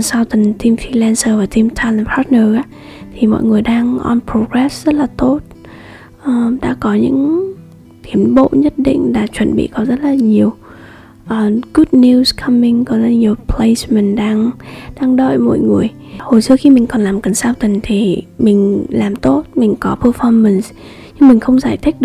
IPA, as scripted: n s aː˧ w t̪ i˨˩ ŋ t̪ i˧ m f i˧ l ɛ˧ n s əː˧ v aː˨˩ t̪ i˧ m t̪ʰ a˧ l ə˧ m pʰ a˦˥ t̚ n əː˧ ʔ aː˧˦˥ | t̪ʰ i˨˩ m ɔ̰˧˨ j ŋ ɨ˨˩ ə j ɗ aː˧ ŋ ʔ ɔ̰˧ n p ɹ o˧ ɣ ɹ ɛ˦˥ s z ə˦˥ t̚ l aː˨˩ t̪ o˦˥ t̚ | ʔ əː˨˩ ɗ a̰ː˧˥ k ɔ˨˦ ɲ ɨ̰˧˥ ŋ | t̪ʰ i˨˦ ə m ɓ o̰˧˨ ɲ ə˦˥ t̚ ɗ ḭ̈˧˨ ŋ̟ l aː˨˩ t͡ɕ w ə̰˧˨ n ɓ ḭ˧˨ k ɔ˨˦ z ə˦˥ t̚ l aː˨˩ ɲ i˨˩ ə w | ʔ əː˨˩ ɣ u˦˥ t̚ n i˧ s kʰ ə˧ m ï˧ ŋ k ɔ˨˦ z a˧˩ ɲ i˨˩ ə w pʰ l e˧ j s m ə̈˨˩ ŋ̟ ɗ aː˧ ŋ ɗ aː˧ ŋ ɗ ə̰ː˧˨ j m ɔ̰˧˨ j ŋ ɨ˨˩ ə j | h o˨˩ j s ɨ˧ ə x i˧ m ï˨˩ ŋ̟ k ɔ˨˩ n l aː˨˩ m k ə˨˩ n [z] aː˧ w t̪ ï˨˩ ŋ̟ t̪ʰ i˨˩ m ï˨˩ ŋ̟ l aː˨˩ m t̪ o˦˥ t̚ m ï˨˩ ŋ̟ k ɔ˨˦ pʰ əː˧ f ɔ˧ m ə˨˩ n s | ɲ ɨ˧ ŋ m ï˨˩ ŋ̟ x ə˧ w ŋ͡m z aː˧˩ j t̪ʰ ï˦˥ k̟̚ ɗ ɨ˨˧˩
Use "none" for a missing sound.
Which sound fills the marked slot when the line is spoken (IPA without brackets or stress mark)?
s